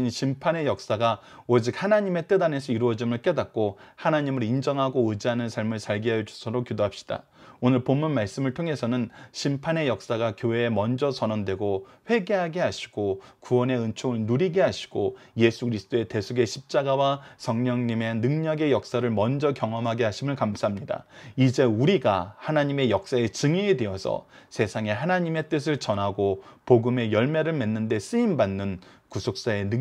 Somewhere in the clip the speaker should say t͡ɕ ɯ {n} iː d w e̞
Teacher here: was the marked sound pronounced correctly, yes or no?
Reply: no